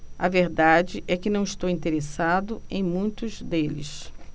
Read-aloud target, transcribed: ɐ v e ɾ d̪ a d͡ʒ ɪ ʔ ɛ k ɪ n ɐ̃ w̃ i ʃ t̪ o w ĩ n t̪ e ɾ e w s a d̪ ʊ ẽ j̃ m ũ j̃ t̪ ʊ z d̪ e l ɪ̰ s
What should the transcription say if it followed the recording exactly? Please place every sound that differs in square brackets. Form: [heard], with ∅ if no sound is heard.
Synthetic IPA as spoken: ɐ v e ɾ d̪ a d͡ʒ ɪ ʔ ɛ k ɪ n ɐ̃ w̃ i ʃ t̪ o w ĩ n t̪ e ɾ e [∅] s a d̪ ʊ ẽ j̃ m ũ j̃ t̪ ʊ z d̪ e l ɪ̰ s